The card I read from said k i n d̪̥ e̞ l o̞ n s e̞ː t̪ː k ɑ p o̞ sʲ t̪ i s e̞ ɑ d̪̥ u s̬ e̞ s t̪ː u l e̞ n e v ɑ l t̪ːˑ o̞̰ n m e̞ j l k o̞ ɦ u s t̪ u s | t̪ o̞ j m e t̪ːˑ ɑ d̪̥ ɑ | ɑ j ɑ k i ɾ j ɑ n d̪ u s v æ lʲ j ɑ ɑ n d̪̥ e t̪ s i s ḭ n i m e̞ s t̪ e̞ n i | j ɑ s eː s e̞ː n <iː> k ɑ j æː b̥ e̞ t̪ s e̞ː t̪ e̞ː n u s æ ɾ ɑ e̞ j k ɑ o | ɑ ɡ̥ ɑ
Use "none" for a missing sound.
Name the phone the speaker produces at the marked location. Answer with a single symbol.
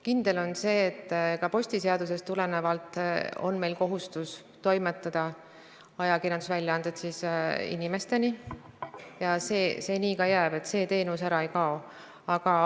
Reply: iː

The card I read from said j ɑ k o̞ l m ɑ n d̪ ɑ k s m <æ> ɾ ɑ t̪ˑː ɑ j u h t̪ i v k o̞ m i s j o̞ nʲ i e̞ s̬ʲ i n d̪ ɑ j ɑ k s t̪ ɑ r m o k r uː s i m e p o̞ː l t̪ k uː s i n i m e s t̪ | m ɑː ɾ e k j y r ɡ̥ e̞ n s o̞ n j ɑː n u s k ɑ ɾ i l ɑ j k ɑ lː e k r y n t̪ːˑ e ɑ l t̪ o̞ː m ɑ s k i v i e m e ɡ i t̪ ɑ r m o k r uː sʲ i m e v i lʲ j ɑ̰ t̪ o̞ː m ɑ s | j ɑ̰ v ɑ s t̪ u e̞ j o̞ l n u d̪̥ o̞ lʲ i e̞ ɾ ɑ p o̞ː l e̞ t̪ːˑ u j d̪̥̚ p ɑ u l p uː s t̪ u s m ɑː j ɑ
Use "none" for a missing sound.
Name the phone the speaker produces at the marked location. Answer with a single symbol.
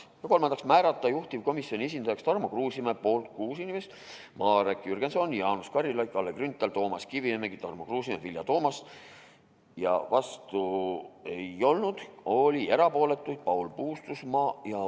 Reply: æː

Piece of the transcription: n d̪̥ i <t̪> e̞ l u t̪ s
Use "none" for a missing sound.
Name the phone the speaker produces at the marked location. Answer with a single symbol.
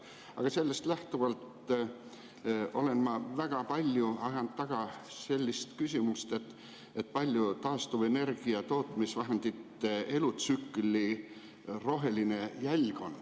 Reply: t̪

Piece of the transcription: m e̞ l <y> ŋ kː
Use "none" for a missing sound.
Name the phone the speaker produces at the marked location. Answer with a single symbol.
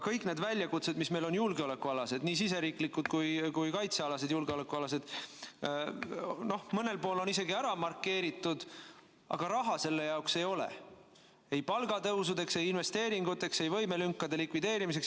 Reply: y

